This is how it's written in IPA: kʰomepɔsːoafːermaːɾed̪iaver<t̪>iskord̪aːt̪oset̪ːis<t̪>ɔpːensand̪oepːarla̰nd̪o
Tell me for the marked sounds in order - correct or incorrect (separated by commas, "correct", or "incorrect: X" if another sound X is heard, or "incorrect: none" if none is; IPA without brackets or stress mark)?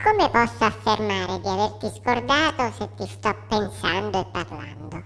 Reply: correct, correct